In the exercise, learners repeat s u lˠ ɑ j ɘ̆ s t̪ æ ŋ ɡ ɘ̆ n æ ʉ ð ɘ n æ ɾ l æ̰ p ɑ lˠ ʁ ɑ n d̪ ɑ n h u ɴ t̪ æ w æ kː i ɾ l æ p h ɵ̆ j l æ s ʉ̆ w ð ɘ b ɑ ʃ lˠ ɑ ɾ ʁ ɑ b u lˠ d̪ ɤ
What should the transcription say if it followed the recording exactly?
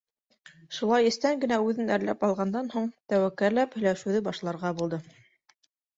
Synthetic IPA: ʃ u lˠ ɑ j ɘ̆ s t̪ æ ŋ ɡ ɘ̆ n æ ʉ ð ɘ n æ ɾ l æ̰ p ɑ lˠ ʁ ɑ n d̪ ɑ n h u ɴ t̪ æ w æ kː æ ɾ l æ p h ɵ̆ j l æ ʃ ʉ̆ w ð ɘ b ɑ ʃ lˠ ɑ ɾ ʁ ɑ b u lˠ d̪ ɤ

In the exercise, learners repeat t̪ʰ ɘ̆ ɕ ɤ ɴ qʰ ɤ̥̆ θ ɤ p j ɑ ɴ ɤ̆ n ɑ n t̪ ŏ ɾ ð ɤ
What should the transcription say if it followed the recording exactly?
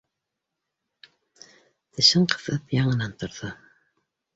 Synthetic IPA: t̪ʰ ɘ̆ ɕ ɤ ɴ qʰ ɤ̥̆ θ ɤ p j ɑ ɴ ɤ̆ n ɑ n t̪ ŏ ɾ ð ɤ

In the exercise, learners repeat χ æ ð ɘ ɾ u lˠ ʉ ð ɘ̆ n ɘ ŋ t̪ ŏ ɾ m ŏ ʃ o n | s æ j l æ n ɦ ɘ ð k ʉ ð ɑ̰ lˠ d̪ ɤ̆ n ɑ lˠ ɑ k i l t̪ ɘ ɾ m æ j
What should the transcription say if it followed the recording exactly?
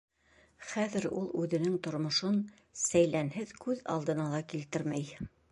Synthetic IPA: χ æ ð ɘ ɾ u lˠ ʉ ð ɘ̆ n ɘ ŋ t̪ ŏ ɾ m ŏ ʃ o n | s æ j l æ n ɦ ɘ ð k ʉ ð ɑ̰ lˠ d̪ ɤ̆ n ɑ lˠ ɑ k i l t̪ ɘ ɾ m æ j

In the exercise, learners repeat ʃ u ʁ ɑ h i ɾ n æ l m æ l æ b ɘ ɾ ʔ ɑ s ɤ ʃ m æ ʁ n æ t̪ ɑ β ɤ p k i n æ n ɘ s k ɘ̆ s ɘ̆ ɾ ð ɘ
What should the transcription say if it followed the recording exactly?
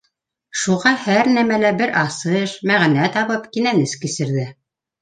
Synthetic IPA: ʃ u ʁ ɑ h æ ɾ n æ m æ l æ b ɘ ɾ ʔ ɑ s ɤ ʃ m æ ʁ n æ t̪ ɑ β ɤ p k i n æ n ɘ s k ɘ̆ s ɘ̆ ɾ ð ɘ

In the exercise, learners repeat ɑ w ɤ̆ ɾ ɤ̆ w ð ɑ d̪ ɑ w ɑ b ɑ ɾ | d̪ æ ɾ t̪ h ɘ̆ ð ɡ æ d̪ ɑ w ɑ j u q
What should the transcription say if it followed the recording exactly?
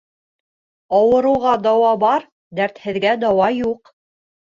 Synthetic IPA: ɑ w ɤ̆ ɾ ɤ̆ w ʁ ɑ d̪ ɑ w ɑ b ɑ ɾ | d̪ æ ɾ t̪ h ɘ̆ ð ɡ æ d̪ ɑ w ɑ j u q

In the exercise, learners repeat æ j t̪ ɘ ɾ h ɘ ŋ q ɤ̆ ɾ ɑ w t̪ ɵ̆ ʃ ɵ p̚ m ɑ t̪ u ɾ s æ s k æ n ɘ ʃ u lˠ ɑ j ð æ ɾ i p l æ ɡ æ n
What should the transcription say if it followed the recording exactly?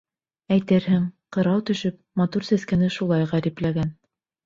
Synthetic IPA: æ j t̪ ɘ ɾ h ɘ ŋ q ɤ̆ ɾ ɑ w t̪ ɵ̆ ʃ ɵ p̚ m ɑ t̪ u ɾ s æ s k æ n ɘ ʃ u lˠ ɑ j ʁ æ ɾ i p l æ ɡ æ n

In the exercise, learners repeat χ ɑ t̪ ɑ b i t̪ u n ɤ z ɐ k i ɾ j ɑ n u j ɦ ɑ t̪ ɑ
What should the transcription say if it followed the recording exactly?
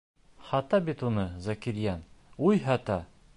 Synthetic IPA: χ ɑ t̪ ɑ b i t̪ u n ɤ z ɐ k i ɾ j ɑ n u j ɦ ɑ t̪ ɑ

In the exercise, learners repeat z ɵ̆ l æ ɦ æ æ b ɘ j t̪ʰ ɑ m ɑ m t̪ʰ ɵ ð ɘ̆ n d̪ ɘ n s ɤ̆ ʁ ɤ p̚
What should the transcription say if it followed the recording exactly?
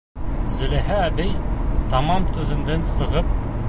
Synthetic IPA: z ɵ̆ l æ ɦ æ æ b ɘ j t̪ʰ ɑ m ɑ m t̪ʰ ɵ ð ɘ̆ n d̪ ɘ n s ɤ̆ ʁ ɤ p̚

